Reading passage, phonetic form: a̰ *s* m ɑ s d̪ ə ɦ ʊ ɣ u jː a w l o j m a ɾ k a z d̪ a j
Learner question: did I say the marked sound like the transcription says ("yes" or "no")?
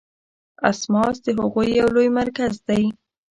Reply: yes